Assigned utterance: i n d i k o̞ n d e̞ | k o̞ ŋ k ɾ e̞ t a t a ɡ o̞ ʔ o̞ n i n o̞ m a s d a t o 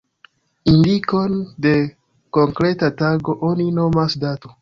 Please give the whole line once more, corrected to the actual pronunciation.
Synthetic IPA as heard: i n d i k o̞ n d e̞ | k o̞ ŋ k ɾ e̞ t a t a ɡ o̞ ʔ o̞ n i n o̞ m a s d a t o